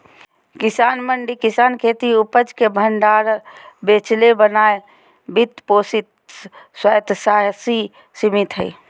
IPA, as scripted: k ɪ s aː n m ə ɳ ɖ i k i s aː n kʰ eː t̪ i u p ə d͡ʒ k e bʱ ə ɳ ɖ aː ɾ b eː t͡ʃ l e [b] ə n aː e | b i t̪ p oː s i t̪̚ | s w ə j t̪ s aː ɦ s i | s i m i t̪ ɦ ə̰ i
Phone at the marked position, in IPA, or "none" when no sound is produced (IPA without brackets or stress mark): b